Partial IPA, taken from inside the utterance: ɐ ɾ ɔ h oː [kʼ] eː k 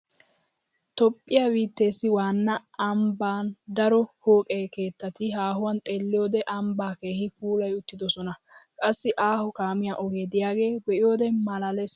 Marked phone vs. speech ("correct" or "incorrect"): correct